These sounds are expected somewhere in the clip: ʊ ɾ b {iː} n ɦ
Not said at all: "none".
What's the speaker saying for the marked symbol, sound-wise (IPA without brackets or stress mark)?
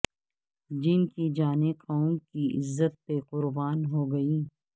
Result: aː